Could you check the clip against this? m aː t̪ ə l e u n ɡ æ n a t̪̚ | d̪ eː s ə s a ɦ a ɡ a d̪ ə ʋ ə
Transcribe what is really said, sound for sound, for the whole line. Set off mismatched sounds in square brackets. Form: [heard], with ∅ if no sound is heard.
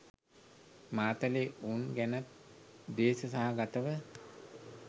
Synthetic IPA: m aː t̪ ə l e u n ɡ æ n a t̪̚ | d̪ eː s ə s a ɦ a ɡ a [t̪] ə ʋ ə